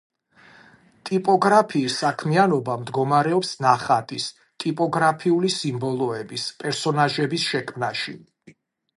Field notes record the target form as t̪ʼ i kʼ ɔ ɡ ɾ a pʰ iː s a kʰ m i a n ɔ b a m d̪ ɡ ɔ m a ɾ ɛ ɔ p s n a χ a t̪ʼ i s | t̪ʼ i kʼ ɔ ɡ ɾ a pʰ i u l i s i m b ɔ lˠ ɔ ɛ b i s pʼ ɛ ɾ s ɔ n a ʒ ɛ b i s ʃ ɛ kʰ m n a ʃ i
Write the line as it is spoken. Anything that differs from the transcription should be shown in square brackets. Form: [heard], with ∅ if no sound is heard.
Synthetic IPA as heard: t̪ʼ i [pʼ] ɔ ɡ ɾ a pʰ iː s a kʰ m i a n ɔ b a m d̪ ɡ ɔ m a ɾ ɛ ɔ p s n a χ a t̪ʼ i s | t̪ʼ i [pʼ] ɔ ɡ ɾ a pʰ i u l i s i m b ɔ lˠ ɔ ɛ b i s pʼ ɛ ɾ s ɔ n a ʒ ɛ b i s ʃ ɛ kʰ m n a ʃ i